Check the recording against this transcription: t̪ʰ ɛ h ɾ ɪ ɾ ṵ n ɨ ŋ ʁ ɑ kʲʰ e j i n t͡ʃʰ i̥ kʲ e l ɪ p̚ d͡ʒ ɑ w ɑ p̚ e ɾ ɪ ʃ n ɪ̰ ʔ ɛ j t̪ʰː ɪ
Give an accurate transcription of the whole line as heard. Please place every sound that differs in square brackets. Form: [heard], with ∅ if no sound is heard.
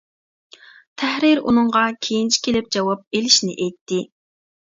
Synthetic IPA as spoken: t̪ʰ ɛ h ɾ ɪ ɾ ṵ n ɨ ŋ ʁ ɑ kʲʰ e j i n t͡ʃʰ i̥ kʲ e l ɪ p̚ d͡ʒ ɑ w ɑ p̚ e [l] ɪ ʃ n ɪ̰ ʔ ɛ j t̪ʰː ɪ